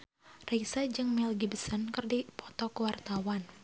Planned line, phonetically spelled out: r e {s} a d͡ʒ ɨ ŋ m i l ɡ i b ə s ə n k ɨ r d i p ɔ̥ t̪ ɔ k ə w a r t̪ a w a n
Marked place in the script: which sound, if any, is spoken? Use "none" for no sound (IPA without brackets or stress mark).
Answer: s